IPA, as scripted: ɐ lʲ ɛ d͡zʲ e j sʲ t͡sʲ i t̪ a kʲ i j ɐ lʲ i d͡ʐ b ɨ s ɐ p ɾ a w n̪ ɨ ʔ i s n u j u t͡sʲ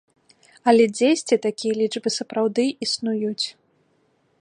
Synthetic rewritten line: ɐ lʲ ɛ d͡zʲ e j sʲ t͡sʲ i t̪ a kʲ i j ɐ lʲ i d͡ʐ b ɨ s ɐ p ɾ a w d̪ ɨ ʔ i s n u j u t͡sʲ